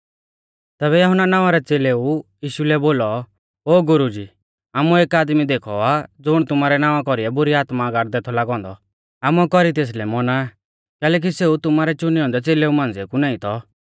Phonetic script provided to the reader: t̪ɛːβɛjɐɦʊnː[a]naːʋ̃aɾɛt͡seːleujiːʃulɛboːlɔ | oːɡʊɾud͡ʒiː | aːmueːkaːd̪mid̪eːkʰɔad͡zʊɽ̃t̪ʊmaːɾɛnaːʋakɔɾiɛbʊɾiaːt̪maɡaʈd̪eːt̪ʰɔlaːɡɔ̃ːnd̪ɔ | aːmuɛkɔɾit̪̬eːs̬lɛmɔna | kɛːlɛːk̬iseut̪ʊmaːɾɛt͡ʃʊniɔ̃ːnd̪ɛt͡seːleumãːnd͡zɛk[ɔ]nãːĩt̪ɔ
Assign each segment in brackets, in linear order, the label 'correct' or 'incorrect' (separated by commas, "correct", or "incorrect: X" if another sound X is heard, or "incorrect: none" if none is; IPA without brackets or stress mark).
correct, incorrect: u